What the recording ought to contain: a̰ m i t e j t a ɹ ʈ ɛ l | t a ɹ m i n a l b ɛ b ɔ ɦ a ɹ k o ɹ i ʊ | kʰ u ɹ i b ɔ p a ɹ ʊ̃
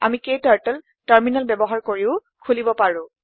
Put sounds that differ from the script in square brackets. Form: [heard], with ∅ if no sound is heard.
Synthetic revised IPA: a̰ m i [k] e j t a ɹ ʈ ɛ l | t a ɹ m i n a l b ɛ b ɔ ɦ a ɹ k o ɹ i ʊ | kʰ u [l] i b ɔ p a ɹ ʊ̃